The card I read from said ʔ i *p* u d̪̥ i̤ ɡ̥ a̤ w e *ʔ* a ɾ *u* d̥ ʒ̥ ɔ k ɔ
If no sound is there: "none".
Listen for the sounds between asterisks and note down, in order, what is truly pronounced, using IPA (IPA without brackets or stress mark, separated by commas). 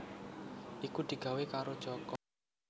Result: k, k, o